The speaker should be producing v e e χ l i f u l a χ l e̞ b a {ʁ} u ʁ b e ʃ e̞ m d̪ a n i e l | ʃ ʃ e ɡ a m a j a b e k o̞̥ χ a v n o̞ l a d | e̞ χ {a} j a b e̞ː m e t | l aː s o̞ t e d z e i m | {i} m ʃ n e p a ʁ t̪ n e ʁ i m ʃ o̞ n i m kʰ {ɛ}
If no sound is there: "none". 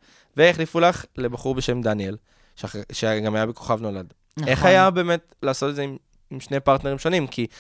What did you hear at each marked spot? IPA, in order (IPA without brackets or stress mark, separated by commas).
χ, a, i, i